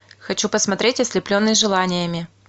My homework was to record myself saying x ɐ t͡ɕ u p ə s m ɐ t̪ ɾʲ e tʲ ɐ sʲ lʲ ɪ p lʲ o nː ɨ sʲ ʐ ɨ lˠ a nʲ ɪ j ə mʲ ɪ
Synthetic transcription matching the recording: x ɐ t͡ɕ u p ə s m ɐ t̪ ɾʲ e tʲ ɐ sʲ lʲ ɪ p lʲ o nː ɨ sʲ ʐ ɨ lˠ a nʲ ɪ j ə mʲ ɪ